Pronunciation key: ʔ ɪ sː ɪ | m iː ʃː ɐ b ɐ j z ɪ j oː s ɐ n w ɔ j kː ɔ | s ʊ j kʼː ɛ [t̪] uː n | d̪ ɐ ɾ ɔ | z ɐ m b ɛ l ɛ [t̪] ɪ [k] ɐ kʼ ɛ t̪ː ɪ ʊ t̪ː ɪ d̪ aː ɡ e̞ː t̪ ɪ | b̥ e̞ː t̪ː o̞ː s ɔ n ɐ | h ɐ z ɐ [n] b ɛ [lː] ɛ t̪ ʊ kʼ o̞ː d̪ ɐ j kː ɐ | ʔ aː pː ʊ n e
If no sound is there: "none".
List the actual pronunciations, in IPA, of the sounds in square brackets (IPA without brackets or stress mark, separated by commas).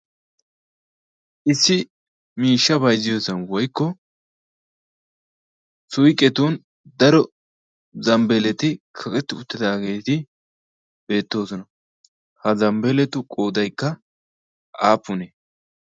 t̪, t̪, kʰ, m, l